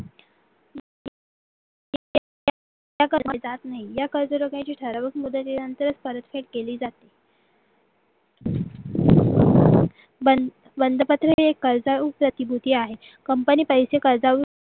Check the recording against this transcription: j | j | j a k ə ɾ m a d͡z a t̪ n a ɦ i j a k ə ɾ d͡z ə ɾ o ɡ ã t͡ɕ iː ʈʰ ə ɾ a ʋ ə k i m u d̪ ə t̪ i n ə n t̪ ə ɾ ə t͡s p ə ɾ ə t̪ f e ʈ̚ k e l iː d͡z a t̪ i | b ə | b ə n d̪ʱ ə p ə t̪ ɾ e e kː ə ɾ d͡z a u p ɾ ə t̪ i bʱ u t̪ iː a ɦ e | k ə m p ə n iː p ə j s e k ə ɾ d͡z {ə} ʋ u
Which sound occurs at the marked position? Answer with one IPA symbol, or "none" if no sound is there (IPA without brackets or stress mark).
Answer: a